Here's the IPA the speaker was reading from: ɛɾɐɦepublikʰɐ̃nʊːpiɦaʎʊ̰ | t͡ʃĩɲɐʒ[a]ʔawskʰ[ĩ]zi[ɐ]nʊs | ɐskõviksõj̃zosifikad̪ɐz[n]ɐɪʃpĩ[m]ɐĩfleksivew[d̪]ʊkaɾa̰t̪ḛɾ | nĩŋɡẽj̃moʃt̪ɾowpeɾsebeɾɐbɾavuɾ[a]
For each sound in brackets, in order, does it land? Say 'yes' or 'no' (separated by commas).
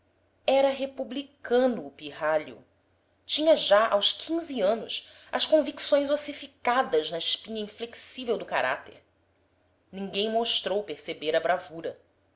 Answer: yes, yes, no, yes, no, yes, no